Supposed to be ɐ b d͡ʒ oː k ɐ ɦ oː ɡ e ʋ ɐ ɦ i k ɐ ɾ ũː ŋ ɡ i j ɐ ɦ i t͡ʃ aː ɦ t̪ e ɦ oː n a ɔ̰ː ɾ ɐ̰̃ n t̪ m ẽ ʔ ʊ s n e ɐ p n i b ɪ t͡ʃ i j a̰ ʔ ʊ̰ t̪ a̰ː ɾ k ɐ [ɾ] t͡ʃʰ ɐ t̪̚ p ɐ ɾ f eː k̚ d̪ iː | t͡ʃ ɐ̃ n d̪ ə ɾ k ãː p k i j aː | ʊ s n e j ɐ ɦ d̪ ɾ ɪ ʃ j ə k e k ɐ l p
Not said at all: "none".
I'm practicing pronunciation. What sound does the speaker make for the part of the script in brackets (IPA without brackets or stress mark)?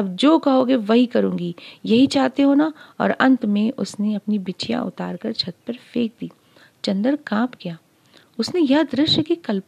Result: ɾ